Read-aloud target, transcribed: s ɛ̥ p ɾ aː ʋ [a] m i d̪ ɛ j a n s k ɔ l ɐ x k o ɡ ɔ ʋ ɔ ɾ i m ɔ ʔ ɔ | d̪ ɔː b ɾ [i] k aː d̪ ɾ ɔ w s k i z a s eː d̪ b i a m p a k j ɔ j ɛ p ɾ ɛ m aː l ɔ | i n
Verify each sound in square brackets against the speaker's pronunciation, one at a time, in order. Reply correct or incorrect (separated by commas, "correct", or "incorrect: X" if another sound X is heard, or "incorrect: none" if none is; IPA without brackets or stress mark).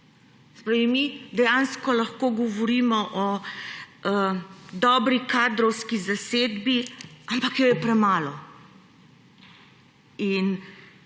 incorrect: i, correct